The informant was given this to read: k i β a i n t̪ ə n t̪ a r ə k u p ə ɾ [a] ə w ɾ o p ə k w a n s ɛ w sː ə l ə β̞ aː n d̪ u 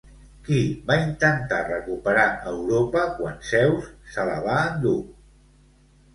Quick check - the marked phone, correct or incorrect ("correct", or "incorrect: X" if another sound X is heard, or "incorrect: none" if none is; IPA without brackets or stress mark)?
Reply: correct